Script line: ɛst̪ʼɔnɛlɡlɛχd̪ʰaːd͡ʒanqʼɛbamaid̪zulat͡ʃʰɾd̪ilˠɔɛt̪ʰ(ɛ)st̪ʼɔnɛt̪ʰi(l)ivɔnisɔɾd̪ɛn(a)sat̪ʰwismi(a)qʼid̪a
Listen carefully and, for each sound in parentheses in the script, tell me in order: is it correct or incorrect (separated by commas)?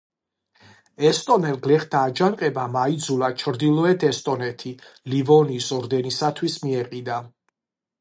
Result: correct, correct, incorrect, incorrect